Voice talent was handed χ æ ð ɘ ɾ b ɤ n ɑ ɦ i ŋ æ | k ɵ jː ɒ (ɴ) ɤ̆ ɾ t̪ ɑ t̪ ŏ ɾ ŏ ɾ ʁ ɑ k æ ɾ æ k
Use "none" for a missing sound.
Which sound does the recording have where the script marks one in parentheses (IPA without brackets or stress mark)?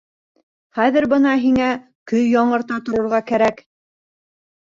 ɴ